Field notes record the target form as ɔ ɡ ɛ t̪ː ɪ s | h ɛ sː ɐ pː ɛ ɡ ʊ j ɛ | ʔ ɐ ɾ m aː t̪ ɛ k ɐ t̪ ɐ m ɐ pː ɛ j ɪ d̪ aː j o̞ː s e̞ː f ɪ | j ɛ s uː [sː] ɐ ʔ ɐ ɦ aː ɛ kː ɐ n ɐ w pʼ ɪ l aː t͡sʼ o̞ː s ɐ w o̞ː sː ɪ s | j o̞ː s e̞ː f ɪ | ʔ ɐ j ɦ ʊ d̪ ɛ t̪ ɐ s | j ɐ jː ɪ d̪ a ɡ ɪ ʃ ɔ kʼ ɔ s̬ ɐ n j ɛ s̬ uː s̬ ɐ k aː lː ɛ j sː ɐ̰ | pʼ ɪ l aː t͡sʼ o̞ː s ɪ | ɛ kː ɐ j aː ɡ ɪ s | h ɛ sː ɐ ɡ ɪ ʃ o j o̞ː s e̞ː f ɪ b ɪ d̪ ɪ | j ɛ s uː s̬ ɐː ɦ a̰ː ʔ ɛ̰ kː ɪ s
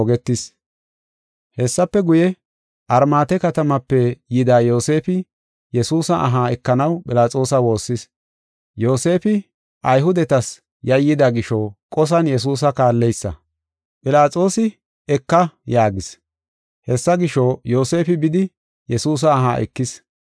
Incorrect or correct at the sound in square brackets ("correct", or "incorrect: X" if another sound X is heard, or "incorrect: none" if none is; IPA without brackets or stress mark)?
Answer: incorrect: s